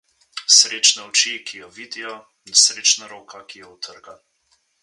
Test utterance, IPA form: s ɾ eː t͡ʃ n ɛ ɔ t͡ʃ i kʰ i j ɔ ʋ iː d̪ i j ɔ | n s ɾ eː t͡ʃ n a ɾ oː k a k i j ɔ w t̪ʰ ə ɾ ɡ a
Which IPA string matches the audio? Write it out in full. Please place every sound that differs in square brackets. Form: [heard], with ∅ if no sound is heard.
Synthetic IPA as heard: s ɾ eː t͡ʃ n ɛ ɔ t͡ʃ i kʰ i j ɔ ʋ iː d̪ i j ɔ | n s ɾ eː t͡ʃ n a ɾ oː k a k i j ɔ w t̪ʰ ə ɾ ɡ a